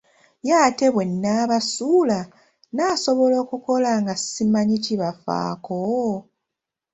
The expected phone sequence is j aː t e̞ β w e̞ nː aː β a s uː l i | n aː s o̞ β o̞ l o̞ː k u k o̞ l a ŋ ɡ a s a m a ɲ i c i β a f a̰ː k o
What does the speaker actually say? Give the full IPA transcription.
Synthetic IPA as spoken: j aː t e̞ β w e̞ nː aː β a s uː l a | n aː s o̞ β o̞ l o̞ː k u k o̞ l a ŋ ɡ a s i m a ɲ i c i β a f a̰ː k o